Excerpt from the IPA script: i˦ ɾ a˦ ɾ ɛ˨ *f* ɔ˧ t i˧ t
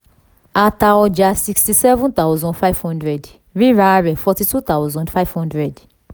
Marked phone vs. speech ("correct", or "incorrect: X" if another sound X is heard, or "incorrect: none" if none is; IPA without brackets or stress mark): correct